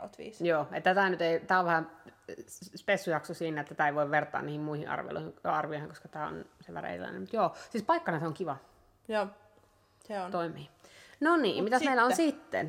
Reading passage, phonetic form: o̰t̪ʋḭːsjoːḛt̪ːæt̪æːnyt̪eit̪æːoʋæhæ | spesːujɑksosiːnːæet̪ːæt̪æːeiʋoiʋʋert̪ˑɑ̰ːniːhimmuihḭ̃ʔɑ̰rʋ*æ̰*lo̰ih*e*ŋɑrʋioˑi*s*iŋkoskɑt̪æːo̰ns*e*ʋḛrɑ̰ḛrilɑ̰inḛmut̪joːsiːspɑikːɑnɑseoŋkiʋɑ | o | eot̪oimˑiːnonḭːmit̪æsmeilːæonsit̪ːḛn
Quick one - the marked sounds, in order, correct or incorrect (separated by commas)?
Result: incorrect, incorrect, incorrect, correct